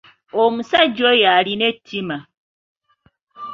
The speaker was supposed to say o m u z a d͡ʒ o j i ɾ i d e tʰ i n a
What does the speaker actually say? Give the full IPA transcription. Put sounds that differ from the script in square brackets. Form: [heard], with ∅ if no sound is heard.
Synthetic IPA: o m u [s] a d͡ʒ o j [a] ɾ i [n] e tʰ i [m] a

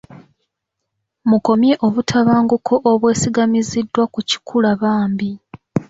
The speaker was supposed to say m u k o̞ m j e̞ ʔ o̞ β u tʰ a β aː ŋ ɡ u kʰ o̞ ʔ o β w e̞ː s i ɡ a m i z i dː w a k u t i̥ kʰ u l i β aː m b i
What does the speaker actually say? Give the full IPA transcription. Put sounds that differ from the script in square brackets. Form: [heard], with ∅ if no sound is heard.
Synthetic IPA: m u k o̞ m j e̞ ʔ o̞ β u tʰ a β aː ŋ ɡ u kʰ o̞ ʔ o β w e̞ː s i ɡ a m i z i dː w a k u [c] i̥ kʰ u l [a] β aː m b i

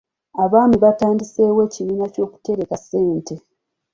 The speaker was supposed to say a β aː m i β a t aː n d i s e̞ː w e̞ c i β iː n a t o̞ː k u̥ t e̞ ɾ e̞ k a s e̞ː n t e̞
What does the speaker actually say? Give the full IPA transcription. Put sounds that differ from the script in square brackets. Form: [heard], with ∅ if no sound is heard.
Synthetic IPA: a β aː m i β a t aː n d i s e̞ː w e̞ c i β iː n a [c] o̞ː k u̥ t e̞ ɾ e̞ k a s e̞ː n t e̞

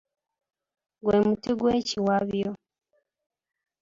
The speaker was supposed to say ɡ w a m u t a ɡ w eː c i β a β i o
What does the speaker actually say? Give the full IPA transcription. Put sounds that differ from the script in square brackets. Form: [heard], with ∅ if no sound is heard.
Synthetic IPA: ɡ w [e] m u t [i] ɡ w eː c i [w] a β [j] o

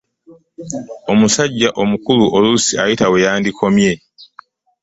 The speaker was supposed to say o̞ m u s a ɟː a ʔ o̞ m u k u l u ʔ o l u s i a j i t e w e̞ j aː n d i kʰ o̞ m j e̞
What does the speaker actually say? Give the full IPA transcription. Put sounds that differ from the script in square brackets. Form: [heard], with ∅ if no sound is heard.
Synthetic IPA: o̞ m u s a ɟː a ʔ o̞ m u k u l u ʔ o l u s i a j i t [a] w e̞ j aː n d i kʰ o̞ m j e̞

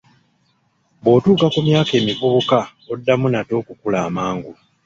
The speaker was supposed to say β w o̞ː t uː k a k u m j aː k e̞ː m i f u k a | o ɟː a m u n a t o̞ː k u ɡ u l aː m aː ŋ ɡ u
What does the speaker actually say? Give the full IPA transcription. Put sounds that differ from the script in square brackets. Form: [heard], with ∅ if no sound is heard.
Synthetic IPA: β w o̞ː t uː k a k u m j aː k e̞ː m i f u k a | o [dː] a m u n a t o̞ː k u [k] u l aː m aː ŋ ɡ u

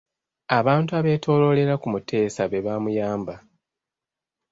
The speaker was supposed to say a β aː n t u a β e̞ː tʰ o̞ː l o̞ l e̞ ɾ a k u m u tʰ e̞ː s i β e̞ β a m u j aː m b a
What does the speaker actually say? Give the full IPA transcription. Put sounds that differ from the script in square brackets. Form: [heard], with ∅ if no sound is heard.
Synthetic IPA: a β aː n t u a β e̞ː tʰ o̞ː l o̞ l e̞ ɾ a k u m u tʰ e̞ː s [a] β e̞ β a m u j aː m b a

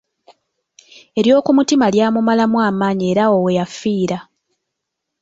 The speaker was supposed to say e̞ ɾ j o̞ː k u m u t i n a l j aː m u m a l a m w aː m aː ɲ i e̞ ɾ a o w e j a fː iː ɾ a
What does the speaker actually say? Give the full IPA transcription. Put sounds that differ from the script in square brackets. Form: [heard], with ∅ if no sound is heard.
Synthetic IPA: e̞ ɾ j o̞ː k u m u t i [m] a l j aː m u m a l a m w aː m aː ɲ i e̞ ɾ a o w e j a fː iː ɾ a

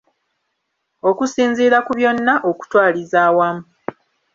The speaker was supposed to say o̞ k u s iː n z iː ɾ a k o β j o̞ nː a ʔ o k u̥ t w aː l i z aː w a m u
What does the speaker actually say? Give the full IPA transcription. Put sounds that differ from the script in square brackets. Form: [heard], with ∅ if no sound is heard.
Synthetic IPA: o̞ k u s iː n z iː ɾ a k [u] β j o̞ nː a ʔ o k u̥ t w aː l i z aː w a m u

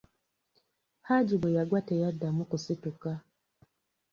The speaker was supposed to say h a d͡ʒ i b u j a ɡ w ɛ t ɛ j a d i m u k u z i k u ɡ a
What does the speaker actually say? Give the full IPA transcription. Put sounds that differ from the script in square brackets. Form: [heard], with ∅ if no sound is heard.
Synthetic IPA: h a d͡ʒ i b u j a ɡ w [a] t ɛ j a d [a] m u k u [s] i [t] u [k] a

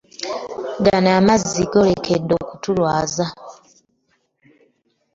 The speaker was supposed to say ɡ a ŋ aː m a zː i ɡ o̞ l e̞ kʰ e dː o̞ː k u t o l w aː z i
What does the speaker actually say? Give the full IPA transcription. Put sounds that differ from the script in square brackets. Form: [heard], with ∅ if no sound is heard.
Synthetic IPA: ɡ a [n] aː m a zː i ɡ o̞ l e̞ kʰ e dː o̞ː k u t [u] l w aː z [a]

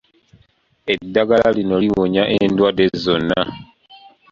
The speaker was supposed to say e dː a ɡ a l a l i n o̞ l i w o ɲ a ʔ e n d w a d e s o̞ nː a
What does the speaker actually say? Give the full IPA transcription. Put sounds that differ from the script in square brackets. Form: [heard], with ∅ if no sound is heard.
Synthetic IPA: e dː a ɡ a l a l i n o̞ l i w o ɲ a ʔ e n d w a d e [z] o̞ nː a

